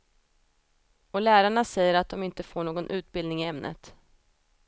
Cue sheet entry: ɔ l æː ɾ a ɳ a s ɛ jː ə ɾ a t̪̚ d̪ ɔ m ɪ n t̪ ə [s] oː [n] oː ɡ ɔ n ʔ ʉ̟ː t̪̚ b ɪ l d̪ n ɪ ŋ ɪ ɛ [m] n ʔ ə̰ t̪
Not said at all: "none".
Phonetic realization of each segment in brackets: f, ɳ, m

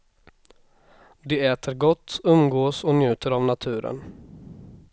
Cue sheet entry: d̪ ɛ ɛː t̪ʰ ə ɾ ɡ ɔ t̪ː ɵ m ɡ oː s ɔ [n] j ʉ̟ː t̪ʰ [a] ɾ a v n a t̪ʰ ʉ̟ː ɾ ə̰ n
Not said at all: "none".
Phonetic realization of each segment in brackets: n, ə

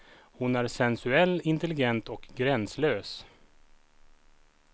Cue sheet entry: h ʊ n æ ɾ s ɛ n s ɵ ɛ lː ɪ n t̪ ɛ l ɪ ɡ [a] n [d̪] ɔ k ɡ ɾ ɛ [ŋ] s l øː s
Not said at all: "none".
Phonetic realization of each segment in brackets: ɛ, t̪, n

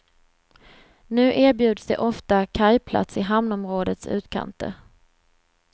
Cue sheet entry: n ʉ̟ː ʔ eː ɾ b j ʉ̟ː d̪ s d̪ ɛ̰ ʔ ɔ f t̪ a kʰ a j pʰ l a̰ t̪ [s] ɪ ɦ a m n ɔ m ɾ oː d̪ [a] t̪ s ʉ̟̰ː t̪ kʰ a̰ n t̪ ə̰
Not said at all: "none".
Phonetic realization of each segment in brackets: s, ə

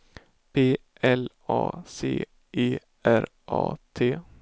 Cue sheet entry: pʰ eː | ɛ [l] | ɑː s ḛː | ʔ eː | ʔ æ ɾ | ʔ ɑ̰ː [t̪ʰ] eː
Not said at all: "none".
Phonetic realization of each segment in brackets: l, t̪ʰ

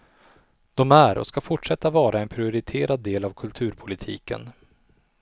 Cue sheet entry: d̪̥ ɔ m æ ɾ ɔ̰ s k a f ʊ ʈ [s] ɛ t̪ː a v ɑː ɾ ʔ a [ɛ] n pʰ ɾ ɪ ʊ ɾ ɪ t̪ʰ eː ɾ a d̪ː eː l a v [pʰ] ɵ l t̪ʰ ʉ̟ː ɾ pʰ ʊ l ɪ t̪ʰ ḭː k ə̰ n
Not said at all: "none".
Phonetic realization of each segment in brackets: ʂ, ɛ, kʰ

